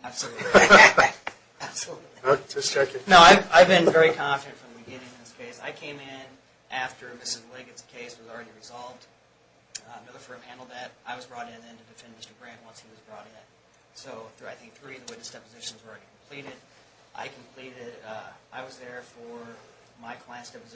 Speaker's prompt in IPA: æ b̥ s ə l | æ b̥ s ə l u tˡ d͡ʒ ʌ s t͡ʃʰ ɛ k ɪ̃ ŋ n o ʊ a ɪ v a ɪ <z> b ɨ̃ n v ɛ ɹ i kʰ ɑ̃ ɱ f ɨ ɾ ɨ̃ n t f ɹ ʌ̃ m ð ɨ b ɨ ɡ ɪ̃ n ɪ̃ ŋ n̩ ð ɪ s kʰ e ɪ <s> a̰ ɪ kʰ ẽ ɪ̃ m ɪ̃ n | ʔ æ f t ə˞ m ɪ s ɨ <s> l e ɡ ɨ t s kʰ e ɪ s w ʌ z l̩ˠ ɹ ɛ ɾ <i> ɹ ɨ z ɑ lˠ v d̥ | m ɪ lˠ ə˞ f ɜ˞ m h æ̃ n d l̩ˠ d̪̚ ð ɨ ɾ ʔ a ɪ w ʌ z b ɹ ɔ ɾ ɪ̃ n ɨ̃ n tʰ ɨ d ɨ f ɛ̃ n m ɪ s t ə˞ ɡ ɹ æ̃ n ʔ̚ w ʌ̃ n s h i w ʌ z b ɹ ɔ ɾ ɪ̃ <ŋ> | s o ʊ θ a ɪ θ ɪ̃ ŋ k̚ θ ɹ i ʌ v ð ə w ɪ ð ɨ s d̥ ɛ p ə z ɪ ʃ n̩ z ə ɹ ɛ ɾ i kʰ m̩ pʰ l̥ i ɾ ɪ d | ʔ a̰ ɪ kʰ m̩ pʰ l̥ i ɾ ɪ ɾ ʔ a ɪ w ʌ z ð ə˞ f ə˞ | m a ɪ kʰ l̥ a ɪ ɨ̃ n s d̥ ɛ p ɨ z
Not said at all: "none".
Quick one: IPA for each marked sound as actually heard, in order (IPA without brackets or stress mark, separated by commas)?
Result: v, s, z, i, n